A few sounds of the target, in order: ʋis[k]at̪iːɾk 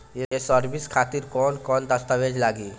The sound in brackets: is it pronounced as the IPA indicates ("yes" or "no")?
no